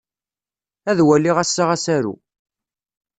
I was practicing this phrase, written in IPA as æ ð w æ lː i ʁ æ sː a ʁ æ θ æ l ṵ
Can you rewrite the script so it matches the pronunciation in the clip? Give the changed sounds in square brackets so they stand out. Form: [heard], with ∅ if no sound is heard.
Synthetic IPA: æ ð w æ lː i ʁ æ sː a ʁ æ [s] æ [ɾ] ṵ